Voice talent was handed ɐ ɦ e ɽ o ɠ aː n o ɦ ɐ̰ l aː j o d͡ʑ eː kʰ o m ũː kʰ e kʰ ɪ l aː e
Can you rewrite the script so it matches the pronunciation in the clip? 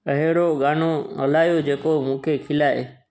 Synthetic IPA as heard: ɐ ɦ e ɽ o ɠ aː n o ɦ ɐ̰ l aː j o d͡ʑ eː k o m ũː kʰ e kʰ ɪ l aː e